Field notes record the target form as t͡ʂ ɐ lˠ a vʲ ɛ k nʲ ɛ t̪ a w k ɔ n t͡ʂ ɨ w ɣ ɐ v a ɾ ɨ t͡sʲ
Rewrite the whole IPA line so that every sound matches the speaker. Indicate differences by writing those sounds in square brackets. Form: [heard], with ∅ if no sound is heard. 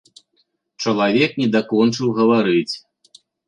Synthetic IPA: t͡ʂ ɐ lˠ a vʲ ɛ k nʲ ɛ [d̪] a [∅] k ɔ n t͡ʂ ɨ w ɣ ɐ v a ɾ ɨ t͡sʲ